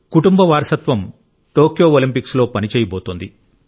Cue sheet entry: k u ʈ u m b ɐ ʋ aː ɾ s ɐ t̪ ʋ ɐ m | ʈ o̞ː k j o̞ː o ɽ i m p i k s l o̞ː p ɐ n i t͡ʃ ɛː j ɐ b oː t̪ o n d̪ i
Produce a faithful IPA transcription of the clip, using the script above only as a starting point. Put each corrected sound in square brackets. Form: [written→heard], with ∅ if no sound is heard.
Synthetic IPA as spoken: k u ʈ u m b ɐ ʋ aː ɾ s ɐ t̪ ʋ ɐ m | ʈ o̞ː k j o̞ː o [ɽ→l] i m p i k s l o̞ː p ɐ n i t͡ʃ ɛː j ɐ b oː t̪ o n d̪ i